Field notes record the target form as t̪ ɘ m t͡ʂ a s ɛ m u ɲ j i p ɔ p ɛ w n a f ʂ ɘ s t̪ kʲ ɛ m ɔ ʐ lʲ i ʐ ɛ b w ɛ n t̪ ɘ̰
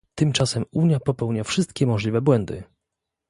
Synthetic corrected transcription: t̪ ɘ m t͡ʂ a s ɛ m u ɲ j a p ɔ p ɛ w ɲ a f ʂ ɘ s t̪ kʲ ɛ m ɔ ʐ lʲ i v ɛ b w ɛ n d̪ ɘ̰